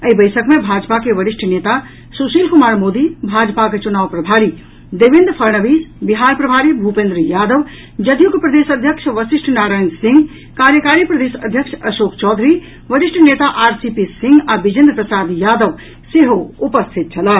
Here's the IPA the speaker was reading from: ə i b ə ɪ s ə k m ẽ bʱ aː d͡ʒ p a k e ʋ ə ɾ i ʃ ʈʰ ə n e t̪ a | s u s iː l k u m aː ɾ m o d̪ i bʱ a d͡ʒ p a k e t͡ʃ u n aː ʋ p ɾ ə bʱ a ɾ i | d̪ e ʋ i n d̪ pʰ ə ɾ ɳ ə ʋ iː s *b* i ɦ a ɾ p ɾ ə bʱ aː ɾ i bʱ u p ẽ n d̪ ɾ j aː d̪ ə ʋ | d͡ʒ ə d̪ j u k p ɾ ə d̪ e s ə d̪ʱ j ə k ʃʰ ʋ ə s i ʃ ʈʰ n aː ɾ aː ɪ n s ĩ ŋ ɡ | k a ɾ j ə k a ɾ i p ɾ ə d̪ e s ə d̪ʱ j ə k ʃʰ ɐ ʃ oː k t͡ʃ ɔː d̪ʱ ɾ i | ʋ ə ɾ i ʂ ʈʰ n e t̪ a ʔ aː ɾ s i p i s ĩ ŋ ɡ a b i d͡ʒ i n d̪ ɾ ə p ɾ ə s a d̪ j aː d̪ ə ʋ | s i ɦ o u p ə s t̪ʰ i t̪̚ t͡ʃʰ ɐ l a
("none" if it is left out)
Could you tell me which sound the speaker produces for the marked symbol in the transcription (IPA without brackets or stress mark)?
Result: b